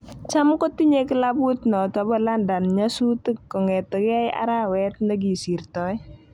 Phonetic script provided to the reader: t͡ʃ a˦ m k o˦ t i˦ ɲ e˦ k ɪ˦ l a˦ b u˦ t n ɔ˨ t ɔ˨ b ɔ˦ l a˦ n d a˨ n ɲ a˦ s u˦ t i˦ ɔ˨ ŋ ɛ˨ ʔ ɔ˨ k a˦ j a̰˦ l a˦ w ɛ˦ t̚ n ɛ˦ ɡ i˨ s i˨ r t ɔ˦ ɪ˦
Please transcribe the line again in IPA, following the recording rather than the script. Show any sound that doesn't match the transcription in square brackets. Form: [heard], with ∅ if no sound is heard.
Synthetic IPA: t͡ʃ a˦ m k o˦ t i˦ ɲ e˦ k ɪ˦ l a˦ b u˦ t n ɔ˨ t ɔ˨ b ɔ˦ l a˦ n d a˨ n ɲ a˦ s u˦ t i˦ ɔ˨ ŋ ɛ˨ [t] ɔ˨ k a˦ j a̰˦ [ɾ] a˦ w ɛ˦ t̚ n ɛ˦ ɡ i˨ s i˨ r t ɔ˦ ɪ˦